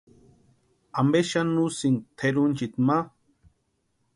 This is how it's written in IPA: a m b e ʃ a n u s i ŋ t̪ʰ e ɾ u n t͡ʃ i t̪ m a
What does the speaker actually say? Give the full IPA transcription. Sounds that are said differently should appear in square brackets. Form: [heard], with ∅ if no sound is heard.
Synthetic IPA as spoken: a m b e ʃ a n u s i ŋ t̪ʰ e ɾ u n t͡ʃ i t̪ m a